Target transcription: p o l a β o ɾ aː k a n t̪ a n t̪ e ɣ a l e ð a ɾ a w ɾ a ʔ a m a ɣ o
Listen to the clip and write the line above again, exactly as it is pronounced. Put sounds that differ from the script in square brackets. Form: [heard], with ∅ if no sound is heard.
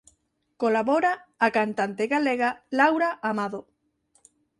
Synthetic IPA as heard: [k] o l a β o ɾ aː k a n t̪ a n t̪ e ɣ a l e [ɣ] a [l] a w ɾ a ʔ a m a [ð] o